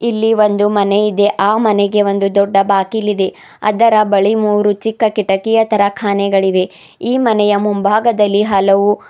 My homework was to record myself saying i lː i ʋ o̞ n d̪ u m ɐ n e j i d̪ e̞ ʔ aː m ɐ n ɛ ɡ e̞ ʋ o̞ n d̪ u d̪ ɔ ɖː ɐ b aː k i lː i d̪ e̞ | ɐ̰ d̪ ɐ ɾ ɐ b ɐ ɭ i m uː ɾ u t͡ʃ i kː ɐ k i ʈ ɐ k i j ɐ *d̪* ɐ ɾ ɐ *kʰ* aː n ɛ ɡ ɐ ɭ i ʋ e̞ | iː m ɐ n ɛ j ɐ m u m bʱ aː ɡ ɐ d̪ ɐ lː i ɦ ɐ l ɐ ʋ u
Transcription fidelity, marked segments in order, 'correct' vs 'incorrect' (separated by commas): incorrect, correct